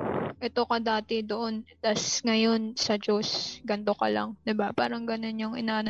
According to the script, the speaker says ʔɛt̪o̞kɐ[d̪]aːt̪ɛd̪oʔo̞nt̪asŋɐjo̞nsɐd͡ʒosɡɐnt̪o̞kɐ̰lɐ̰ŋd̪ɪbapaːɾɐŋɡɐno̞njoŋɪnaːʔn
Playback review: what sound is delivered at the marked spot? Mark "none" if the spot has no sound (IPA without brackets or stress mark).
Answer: d̪